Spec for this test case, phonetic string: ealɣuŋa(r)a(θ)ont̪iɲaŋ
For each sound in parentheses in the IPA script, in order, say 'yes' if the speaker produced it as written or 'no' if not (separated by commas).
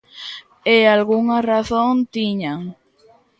yes, yes